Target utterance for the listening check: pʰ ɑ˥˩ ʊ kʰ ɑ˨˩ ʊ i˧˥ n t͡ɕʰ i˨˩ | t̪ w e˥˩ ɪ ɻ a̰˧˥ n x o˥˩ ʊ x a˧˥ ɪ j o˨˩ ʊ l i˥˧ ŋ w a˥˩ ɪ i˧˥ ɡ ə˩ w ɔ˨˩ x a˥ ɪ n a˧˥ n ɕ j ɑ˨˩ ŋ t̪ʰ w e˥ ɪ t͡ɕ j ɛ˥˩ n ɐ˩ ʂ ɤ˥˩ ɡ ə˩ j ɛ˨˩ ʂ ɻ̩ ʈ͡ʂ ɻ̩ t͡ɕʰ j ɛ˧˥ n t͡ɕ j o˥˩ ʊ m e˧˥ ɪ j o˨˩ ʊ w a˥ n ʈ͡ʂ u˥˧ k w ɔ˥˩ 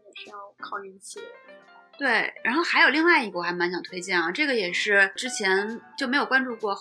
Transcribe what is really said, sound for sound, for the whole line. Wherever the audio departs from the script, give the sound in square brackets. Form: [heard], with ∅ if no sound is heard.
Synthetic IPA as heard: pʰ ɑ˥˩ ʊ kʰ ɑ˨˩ ʊ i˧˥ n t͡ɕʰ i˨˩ | t̪ w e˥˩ ɪ ɻ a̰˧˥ n x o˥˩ ʊ x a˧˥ ɪ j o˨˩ ʊ l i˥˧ ŋ w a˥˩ ɪ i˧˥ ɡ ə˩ w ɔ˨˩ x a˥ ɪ [m] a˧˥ n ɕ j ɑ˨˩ ŋ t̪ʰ w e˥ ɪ t͡ɕ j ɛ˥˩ n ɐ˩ [ʈ͡ʂ] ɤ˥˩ ɡ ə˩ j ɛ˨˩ ʂ ɻ̩ ʈ͡ʂ ɻ̩ t͡ɕʰ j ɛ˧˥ n t͡ɕ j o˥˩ ʊ m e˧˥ ɪ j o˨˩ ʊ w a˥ n ʈ͡ʂ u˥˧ k w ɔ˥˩